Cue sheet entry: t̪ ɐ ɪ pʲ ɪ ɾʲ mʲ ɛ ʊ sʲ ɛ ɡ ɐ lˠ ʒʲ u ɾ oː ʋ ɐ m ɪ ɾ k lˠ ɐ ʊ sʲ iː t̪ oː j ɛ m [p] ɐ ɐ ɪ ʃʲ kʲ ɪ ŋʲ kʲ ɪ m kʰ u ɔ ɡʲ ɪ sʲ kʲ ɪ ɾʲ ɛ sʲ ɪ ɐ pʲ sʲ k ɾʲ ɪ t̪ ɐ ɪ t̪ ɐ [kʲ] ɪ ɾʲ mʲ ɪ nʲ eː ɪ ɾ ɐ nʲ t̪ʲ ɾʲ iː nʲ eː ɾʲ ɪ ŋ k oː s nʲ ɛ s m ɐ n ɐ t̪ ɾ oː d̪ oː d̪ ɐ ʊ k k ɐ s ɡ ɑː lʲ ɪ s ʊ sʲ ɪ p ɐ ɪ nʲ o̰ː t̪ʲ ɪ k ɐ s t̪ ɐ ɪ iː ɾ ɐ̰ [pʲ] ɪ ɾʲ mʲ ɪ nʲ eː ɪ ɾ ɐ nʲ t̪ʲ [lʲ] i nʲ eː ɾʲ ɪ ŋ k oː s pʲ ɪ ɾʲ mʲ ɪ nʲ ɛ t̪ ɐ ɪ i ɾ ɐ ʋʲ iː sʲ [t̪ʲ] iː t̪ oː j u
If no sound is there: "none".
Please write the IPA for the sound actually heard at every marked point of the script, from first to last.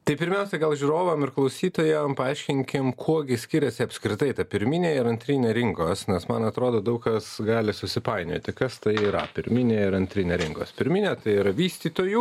p, pʲ, pʲ, ɾʲ, t̪ʲ

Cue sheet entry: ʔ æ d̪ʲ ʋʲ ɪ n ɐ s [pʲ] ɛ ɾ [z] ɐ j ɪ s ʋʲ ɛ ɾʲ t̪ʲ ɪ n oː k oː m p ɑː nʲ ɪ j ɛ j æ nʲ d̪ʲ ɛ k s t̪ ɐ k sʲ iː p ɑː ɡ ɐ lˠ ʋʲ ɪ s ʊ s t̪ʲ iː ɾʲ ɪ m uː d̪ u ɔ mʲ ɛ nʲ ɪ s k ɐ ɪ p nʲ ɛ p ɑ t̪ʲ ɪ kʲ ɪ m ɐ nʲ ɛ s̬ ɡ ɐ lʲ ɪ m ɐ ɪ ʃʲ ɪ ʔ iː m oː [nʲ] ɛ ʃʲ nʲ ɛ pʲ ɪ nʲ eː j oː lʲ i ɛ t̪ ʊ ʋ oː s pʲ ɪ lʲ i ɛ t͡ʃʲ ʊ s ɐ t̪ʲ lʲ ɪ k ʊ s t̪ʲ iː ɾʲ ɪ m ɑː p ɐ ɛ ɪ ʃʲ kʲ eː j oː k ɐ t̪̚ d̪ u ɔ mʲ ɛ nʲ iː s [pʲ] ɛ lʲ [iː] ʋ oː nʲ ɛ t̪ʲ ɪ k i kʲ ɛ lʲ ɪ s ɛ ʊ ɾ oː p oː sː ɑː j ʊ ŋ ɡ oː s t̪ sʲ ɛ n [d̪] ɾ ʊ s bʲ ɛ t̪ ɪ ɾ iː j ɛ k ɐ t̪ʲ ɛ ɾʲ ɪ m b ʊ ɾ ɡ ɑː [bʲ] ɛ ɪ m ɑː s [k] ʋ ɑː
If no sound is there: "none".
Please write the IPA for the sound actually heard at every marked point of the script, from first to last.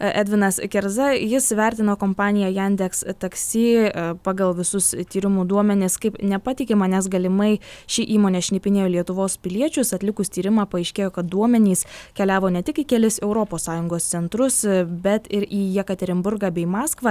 kʲ, z, nʲ, kʲ, æː, t̪, bʲ, k

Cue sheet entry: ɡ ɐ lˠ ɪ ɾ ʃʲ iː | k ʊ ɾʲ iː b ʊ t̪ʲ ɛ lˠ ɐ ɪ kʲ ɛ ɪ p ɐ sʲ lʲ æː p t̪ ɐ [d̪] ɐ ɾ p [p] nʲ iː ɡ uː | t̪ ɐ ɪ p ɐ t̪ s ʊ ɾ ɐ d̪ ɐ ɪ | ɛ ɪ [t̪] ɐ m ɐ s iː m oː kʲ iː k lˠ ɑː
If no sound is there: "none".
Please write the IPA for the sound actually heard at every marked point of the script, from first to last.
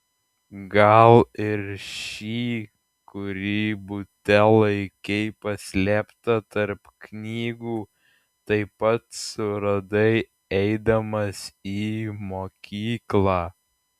t̪, k, d̪

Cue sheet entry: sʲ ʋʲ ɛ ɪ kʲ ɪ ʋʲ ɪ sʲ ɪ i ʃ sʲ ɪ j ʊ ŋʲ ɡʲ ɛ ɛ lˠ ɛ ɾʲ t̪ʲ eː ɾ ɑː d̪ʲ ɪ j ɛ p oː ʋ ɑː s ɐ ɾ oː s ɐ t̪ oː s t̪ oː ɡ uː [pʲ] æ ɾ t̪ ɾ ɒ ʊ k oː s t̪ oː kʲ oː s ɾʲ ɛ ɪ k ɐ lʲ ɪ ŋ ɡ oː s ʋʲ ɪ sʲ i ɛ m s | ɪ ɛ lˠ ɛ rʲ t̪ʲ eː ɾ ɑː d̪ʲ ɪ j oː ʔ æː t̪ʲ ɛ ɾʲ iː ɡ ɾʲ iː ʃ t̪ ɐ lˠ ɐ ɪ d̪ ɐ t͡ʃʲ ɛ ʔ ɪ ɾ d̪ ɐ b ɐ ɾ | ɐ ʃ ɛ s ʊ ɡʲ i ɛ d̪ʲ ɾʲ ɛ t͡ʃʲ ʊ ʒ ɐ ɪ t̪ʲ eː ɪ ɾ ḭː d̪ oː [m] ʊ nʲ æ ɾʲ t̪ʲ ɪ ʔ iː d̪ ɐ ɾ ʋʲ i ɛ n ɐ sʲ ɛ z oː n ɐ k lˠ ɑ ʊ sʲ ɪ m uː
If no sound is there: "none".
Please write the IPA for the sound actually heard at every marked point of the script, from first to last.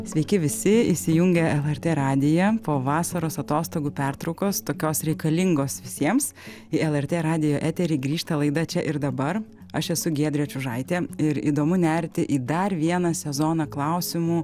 pʲ, m

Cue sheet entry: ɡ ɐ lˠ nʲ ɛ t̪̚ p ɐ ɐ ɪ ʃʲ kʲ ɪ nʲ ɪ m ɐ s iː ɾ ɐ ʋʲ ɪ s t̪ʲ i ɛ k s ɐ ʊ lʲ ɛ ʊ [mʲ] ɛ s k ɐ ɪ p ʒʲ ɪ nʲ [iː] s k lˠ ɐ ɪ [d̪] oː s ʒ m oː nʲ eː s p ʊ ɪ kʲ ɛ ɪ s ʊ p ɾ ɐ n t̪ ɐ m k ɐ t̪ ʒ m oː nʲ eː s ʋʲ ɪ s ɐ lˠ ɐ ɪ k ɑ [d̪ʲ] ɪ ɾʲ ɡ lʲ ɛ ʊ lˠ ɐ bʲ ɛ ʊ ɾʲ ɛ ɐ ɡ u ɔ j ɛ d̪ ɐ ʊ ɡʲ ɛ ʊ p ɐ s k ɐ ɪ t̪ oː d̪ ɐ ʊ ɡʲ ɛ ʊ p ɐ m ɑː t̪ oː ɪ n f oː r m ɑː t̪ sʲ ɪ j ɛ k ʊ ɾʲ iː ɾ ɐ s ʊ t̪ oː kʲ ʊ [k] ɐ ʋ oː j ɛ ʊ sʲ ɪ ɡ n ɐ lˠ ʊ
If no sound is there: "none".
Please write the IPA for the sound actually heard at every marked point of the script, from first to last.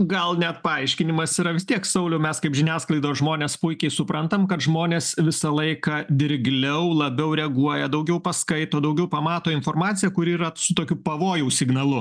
mʲ, æː, d̪, d̪ʲ, p

